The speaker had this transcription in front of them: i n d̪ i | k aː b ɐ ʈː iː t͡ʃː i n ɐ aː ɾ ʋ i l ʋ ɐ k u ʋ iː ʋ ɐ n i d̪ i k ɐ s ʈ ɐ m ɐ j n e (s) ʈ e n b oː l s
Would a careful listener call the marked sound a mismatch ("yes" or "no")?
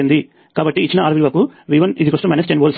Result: no